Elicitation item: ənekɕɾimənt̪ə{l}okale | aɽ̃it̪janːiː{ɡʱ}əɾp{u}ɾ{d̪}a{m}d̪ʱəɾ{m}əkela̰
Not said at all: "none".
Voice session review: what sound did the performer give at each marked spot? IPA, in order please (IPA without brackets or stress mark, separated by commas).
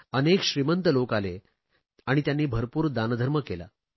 l, bʱ, uː, d̪, n, m